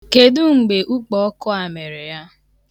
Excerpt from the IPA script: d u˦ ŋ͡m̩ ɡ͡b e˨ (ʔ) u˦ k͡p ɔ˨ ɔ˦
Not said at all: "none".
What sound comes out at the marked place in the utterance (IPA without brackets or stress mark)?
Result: ʔ